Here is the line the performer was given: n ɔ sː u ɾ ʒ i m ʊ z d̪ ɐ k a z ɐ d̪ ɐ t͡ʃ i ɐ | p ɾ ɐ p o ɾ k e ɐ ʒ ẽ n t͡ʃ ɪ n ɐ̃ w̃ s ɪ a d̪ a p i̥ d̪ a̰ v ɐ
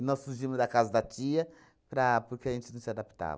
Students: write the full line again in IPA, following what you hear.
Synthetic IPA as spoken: n ɔ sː u ɾ ʒ i m ʊ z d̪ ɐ k a z ɐ d̪ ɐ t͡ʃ i ɐ | p ɾ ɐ p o ɾ k e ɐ ʒ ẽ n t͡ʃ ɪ n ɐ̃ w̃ s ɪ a d̪ a p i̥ t̪ a̰ v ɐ